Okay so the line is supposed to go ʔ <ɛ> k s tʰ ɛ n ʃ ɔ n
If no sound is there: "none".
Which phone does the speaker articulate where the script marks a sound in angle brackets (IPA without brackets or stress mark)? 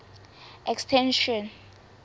ɛ